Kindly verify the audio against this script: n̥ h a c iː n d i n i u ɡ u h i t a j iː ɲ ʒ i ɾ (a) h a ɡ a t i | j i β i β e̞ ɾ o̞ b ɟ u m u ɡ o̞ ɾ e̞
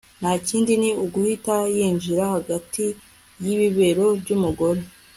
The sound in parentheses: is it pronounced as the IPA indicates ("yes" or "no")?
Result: yes